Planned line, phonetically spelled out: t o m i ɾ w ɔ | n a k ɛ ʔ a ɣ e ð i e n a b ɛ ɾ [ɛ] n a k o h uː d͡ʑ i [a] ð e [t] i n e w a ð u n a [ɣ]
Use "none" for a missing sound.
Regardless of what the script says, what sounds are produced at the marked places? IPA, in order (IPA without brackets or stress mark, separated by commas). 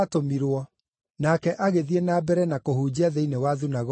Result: ɛ, a, none, ɣ